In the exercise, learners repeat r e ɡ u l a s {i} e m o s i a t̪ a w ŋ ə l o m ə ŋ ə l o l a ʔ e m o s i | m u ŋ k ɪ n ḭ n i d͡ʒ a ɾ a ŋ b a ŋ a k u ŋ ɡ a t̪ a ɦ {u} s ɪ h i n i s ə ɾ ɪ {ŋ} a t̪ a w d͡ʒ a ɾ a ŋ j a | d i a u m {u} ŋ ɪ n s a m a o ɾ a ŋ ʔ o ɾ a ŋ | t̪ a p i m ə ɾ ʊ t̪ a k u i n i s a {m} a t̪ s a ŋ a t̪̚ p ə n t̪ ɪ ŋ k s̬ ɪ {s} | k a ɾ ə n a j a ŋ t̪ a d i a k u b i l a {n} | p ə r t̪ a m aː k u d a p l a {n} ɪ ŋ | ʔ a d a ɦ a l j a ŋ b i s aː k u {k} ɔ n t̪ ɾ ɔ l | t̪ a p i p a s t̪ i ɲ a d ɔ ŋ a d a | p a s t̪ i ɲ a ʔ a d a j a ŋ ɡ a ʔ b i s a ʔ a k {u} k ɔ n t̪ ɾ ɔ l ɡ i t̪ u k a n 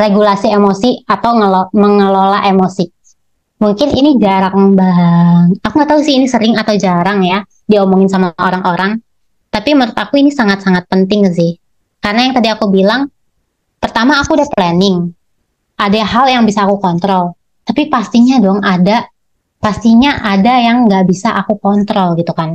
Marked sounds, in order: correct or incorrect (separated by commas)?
correct, correct, correct, incorrect, incorrect, incorrect, incorrect, correct, correct, correct